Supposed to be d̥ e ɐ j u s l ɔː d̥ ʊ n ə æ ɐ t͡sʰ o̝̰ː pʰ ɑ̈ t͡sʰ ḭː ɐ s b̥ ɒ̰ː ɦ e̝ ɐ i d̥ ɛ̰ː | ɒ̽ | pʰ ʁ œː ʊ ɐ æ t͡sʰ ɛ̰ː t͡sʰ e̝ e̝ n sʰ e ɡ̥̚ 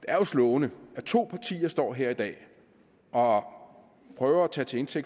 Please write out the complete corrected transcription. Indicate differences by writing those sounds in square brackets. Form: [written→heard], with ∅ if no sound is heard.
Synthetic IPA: d̥ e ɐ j [u→o] s l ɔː [d̥→∅] ʊ n ə æ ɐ t͡sʰ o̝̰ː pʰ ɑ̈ t͡sʰ ḭː ɐ s [b̥→d̥] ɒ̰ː ɦ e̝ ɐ i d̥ ɛ̰ː | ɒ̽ | pʰ ʁ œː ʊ ɐ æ t͡sʰ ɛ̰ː t͡sʰ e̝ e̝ n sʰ e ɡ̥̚